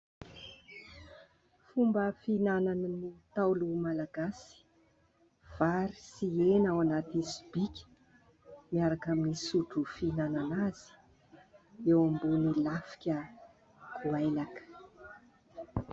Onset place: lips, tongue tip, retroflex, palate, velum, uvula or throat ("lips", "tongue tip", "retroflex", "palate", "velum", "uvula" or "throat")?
lips